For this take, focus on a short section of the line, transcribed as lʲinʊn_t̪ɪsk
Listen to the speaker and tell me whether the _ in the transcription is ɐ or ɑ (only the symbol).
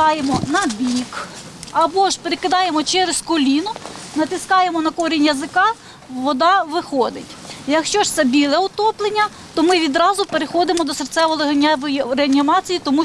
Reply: ɐ